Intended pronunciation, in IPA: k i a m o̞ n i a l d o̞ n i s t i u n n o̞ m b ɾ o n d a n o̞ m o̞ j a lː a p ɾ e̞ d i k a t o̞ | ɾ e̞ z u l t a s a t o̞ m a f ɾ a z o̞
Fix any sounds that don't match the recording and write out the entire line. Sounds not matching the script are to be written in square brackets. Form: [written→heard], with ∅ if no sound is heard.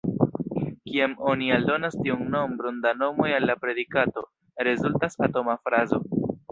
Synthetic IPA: k i a m o̞ n i a l d o̞ n [i→a] s t i u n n o̞ m b ɾ o n d a n o̞ m o̞ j a lː a p ɾ e̞ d i k a t o̞ | ɾ e̞ z u l t a s a t o̞ m a f ɾ a z o̞